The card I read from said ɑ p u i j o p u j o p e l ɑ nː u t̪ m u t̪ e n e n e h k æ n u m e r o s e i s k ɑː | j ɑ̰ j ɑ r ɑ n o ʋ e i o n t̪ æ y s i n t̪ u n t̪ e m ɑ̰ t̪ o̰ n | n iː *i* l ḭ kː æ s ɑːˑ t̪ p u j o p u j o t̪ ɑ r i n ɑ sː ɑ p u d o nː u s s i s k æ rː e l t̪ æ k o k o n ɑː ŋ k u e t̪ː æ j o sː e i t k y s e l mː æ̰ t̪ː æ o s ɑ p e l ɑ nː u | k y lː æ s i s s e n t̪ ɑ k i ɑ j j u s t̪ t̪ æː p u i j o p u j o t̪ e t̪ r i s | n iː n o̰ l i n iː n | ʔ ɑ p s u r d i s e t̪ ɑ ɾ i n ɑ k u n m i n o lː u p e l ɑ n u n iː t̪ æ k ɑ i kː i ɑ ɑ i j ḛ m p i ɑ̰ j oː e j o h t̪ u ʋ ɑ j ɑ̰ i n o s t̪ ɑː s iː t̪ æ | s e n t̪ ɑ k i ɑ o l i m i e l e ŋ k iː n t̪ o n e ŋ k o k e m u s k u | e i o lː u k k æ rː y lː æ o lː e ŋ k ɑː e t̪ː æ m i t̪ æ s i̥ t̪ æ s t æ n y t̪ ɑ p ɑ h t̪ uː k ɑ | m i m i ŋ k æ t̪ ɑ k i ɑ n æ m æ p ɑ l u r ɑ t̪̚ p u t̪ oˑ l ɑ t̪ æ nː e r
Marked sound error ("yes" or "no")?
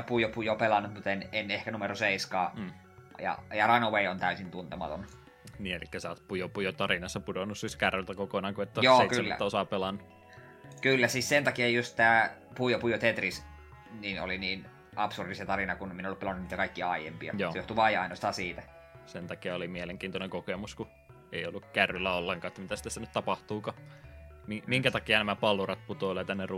yes